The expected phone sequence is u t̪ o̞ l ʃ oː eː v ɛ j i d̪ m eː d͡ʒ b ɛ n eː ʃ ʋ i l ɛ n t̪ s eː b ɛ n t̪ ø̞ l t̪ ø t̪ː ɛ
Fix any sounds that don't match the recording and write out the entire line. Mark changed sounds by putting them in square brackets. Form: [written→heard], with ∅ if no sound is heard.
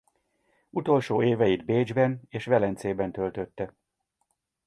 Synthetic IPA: u t̪ o̞ l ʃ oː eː v ɛ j i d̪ [m→b] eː d͡ʒ b ɛ n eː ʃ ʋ [i→ɛ] l ɛ n t̪ s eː b ɛ n t̪ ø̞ l t̪ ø t̪ː ɛ